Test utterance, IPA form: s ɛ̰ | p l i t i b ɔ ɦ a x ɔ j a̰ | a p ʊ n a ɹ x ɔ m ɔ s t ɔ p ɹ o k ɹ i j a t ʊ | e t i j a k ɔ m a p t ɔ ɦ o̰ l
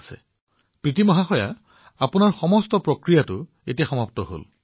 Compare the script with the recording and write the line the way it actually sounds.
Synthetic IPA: s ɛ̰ | p ɹ i t i m ɔ ɦ a x ɔ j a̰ | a p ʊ n a ɹ x ɔ m ɔ s t ɔ p ɹ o k ɹ i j a t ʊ | e t i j a x ɔ m a p t ɔ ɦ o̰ l

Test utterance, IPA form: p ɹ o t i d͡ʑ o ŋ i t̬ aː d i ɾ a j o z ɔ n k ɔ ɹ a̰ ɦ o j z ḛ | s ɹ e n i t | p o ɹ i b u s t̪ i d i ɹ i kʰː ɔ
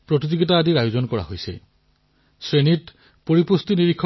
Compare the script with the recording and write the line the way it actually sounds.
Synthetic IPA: p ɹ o t i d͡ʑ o ɡ i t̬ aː d i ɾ a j o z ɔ n k ɔ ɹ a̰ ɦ o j s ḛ | s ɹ e n i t | p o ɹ i p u s t̪ i n i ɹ i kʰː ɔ

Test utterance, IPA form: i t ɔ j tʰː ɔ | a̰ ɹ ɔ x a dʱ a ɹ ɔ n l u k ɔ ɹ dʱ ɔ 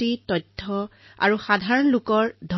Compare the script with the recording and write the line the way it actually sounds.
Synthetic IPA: i t ɔ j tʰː ɔ | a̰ ɹ u x a dʱ a ɹ ɔ n l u k ɔ ɹ dʱ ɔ

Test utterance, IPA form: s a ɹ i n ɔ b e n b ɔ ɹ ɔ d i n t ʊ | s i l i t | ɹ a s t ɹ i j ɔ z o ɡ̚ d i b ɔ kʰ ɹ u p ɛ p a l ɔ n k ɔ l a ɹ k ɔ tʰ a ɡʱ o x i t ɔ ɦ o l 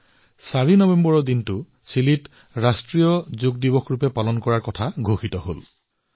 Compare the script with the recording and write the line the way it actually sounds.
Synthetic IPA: s a ɹ i n ɔ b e m b ɔ ɹ ɔ d i n t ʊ | s i l i t | ɹ a s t ɹ i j ɔ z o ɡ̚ d i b ɔ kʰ ɹ u p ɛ p a l ɔ n k ɔ ɹ a ɹ k ɔ tʰ a ɡʱ o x i t ɔ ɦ o l

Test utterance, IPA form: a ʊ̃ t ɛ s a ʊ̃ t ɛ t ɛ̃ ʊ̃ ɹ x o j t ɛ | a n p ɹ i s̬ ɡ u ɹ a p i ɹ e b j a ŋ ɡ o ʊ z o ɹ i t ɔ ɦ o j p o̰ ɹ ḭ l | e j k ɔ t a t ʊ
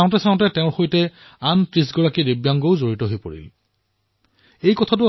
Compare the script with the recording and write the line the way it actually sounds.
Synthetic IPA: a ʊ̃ t ɛ s a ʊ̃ t ɛ t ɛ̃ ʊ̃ ɹ x o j t ɛ | a n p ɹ i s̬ ɡ ɔ ɹ a k i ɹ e b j a ŋ ɡ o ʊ z o ɹ i t ɔ ɦ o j p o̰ ɹ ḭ l | e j k ɔ tʰ a t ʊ

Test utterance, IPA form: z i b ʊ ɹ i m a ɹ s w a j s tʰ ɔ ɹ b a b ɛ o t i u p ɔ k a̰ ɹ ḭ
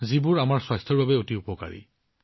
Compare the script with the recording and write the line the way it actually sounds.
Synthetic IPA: z i b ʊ ɹ a m a ɹ s w a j s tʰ ɔ ɹ b a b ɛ o t i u p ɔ k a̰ ɹ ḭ

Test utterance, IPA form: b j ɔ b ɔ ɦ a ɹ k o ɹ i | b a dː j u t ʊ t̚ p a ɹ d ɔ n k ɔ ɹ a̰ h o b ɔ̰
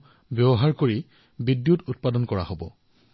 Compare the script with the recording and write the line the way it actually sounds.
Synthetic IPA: b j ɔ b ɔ ɦ a ɹ k o ɹ i | b i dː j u t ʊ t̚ p a d ɔ n k ɔ ɹ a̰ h o b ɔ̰

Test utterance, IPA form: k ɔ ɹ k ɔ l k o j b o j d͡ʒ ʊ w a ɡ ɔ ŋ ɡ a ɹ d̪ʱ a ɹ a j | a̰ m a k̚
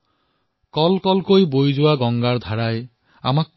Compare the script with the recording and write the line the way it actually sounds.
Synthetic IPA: k ɔ l k ɔ l k o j b o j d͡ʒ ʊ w a ɡ ɔ ŋ ɡ a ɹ d̪ʱ a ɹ a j | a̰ m a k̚

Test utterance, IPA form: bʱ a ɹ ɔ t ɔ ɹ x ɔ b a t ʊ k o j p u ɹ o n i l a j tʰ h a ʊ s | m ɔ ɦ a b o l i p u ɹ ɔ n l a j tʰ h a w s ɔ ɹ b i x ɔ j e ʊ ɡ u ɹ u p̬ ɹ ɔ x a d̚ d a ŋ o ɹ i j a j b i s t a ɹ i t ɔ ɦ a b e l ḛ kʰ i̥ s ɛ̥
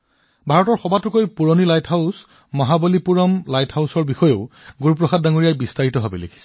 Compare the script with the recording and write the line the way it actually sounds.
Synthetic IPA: bʱ a ɹ ɔ t ɔ ɹ x ɔ b a t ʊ k o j p u ɹ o n i l a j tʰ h a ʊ s | m ɔ ɦ a b o l i p u ɹ ɔ m l a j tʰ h a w s ɔ ɹ b i x ɔ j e ʊ ɡ u ɹ u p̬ ɹ ɔ x a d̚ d a ŋ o ɹ i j a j b i s t a ɹ i t ɔ ɦ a b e l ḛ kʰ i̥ s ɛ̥

